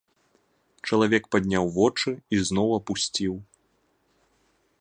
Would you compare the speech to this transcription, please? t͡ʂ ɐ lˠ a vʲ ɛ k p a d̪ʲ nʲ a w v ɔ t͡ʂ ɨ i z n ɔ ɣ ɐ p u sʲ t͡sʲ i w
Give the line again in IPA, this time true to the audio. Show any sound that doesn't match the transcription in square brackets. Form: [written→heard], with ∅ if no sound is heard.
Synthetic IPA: t͡ʂ ɐ lˠ a vʲ ɛ k p a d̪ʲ nʲ a w v ɔ t͡ʂ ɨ i z n ɔ [ɣ→w] ɐ p u sʲ t͡sʲ i w